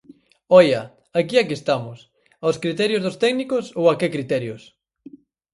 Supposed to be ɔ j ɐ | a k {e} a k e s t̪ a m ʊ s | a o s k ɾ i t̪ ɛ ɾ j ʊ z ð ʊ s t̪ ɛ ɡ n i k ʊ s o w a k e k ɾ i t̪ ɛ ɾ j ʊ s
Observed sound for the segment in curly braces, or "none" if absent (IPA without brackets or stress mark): i